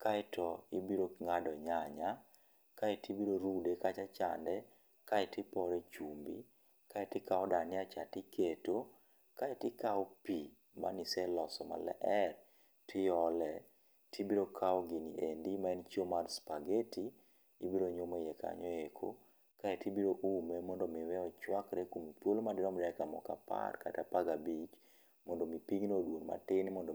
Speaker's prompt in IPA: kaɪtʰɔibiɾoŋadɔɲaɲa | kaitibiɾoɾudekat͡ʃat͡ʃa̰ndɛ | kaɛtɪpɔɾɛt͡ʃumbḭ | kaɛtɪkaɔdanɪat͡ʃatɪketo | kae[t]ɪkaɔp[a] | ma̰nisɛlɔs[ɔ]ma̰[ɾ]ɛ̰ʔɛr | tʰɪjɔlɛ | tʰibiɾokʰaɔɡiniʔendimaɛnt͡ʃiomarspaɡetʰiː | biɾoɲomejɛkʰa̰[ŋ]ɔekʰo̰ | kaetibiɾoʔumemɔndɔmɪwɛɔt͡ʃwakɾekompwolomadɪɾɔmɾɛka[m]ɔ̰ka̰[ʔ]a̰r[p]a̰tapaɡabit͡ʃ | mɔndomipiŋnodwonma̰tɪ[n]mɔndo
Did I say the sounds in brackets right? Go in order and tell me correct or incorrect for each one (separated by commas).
correct, incorrect, correct, incorrect, incorrect, correct, incorrect, incorrect, correct